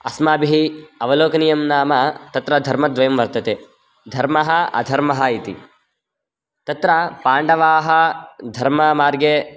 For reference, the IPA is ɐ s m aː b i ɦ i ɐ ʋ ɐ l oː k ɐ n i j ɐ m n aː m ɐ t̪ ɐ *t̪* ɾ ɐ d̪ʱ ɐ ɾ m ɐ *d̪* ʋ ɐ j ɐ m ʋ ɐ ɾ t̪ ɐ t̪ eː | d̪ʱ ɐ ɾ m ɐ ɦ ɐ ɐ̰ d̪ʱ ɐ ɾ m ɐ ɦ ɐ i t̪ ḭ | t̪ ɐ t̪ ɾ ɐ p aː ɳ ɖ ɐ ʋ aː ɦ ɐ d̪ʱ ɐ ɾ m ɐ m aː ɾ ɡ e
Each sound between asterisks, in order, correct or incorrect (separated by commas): correct, correct